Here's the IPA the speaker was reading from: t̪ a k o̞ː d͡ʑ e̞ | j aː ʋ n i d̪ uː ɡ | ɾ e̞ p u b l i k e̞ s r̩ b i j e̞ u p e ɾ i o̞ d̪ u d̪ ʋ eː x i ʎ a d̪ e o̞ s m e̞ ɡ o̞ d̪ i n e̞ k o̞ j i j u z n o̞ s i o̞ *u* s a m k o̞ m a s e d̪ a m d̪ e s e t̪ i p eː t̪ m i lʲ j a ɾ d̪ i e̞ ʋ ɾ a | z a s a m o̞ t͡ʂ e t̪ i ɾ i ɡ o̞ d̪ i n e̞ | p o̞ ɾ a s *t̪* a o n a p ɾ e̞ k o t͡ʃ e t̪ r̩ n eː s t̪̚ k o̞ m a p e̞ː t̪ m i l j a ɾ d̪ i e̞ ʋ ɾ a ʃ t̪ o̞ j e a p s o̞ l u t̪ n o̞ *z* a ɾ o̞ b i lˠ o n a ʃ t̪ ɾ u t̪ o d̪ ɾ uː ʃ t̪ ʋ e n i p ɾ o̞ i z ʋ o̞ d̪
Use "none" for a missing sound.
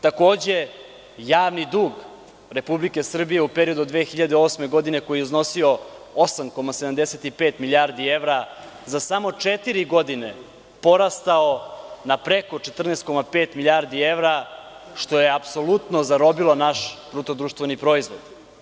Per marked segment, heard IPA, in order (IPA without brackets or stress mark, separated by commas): o, t̪, z